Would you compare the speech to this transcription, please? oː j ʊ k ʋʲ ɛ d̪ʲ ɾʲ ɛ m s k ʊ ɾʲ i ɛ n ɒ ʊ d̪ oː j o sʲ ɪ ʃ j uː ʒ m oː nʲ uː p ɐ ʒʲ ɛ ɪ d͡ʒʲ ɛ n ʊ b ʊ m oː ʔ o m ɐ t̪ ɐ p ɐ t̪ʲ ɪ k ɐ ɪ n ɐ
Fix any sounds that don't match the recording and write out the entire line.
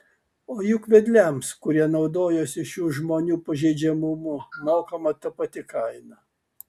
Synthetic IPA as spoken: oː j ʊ k ʋʲ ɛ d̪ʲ lʲ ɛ m s k ʊ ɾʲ i ɛ n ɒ ʊ d̪ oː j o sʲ ɪ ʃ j uː ʒ m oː nʲ uː p ɐ ʒʲ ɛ ɪ d͡ʒʲ ɛ m ʊ m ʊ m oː k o m ɐ t̪ ɐ p ɐ t̪ʲ ɪ k ɐ ɪ n ɐ